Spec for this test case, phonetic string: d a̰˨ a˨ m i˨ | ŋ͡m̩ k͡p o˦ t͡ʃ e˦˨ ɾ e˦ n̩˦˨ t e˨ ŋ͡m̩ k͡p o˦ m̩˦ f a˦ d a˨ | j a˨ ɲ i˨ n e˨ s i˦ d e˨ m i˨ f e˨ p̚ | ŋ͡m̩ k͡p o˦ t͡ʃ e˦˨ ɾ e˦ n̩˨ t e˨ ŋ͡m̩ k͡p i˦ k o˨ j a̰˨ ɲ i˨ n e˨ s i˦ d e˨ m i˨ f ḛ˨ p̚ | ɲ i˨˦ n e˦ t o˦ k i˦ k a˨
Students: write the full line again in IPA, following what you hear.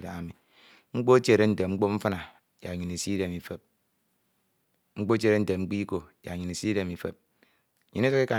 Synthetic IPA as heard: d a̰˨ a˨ m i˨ | ŋ͡m̩ k͡p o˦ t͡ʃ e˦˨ ɾ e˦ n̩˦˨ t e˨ ŋ͡m̩ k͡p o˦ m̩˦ f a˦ n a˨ | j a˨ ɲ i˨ n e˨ s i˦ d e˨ m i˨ f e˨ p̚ | ŋ͡m̩ k͡p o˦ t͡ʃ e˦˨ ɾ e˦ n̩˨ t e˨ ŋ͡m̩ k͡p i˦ k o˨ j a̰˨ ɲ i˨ n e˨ s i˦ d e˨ m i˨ f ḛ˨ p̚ | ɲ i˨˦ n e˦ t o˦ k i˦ k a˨